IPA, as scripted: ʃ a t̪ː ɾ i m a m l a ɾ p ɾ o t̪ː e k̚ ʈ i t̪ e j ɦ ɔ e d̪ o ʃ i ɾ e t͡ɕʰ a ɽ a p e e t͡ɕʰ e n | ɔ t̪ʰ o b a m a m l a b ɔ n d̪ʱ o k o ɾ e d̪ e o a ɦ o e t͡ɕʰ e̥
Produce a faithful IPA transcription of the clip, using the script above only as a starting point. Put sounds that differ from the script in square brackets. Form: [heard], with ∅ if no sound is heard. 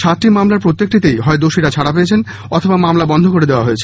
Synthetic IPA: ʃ a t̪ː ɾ i m a m l a ɾ p ɾ o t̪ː e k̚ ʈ i t̪ e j ɦ ɔ e d̪ o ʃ i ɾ [a] t͡ɕʰ a ɽ a p e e t͡ɕʰ e n | ɔ t̪ʰ o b a m a m l a b ɔ n d̪ʱ o k o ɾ e d̪ e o a ɦ o e t͡ɕʰ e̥